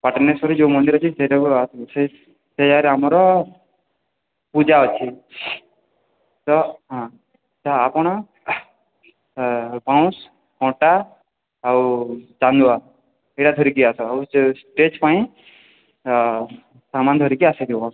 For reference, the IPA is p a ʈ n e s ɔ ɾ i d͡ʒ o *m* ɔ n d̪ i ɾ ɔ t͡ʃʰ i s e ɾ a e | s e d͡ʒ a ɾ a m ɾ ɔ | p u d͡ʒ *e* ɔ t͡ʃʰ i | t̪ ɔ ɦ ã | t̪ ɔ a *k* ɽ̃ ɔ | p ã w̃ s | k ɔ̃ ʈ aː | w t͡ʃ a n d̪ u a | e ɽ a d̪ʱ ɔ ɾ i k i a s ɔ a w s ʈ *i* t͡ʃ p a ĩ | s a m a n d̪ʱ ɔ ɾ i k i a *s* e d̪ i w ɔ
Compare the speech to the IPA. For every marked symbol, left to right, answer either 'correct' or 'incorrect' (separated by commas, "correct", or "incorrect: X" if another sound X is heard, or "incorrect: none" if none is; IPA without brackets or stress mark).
correct, incorrect: a, incorrect: p, incorrect: e, correct